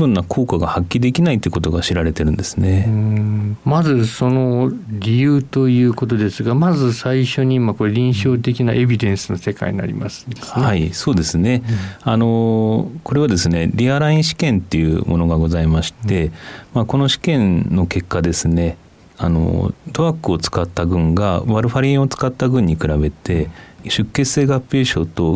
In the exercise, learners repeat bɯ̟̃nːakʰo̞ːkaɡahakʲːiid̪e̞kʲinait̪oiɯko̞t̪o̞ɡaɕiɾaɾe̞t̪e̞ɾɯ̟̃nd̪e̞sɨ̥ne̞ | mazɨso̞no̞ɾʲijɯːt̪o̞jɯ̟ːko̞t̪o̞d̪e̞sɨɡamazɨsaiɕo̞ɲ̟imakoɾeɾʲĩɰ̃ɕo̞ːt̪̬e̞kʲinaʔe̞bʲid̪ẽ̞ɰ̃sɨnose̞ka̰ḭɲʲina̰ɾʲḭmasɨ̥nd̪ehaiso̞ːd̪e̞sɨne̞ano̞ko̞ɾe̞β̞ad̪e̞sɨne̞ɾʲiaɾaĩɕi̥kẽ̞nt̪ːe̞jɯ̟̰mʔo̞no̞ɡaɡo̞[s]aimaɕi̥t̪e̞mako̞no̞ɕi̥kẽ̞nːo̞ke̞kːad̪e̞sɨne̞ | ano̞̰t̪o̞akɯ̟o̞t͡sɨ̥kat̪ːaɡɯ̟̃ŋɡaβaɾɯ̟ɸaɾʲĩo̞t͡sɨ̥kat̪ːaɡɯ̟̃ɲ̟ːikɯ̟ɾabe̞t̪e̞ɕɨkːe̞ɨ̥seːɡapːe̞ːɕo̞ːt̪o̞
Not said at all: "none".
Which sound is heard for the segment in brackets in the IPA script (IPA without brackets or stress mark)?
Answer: z